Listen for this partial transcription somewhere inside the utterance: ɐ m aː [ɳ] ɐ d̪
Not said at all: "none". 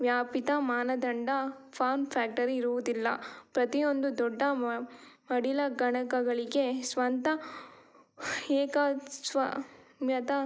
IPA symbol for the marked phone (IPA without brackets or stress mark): n